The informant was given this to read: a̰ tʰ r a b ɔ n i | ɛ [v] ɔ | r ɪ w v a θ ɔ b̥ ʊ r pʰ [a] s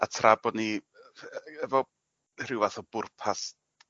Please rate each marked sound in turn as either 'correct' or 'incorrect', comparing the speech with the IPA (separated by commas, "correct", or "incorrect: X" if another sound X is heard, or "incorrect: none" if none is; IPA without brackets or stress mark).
correct, correct